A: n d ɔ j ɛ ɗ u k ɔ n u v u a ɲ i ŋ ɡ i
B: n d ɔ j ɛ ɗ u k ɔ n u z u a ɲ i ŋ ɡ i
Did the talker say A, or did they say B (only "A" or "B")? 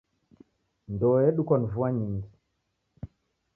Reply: A